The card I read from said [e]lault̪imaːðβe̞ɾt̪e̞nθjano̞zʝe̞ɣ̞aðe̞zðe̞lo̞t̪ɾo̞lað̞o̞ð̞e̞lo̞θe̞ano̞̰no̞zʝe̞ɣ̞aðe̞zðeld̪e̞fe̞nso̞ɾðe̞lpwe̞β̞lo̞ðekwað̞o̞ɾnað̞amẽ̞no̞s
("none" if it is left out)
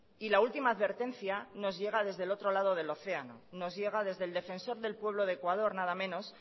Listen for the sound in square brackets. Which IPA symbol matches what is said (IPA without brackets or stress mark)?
i